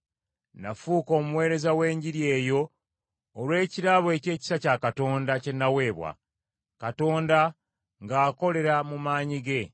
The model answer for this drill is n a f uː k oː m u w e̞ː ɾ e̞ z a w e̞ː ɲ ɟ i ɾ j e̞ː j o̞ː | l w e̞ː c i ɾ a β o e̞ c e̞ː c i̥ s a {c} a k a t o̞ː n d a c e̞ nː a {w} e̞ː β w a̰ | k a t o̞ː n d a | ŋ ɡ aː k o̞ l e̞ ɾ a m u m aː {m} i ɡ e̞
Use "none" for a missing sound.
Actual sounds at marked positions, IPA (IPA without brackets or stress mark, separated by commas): c, w, ɲ